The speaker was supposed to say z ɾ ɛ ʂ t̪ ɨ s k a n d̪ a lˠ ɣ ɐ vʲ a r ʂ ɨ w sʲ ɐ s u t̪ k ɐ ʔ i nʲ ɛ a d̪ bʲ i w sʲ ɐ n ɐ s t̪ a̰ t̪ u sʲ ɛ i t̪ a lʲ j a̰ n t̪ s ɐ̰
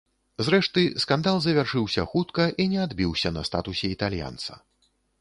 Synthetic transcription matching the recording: z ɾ ɛ ʂ t̪ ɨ s k a n d̪ a lˠ z ɐ vʲ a r ʂ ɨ w sʲ ɐ x u t̪ k ɐ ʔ i nʲ ɛ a d̪ bʲ i w sʲ ɐ n ɐ s t̪ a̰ t̪ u sʲ ɛ i t̪ a lʲ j a̰ n t̪ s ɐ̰

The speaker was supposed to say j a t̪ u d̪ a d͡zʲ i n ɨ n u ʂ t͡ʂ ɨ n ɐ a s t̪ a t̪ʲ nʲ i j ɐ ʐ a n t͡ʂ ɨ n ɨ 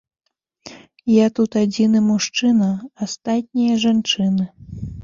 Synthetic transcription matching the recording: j a t̪ u t̪ a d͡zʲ i n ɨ m u ʂ t͡ʂ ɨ n ɐ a s t̪ a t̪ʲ nʲ i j ɐ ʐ a n t͡ʂ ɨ n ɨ

